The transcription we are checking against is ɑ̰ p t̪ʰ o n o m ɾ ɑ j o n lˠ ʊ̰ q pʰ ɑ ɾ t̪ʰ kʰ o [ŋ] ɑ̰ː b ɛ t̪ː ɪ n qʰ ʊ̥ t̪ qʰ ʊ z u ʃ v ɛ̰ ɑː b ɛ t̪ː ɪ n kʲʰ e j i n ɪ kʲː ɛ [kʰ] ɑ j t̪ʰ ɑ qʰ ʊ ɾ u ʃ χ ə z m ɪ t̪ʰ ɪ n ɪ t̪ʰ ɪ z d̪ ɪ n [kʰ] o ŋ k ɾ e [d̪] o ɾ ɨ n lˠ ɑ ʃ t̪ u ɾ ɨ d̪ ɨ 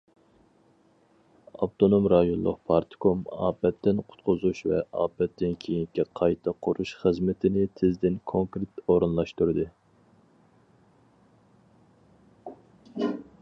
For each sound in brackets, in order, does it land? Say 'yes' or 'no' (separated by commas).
no, no, yes, no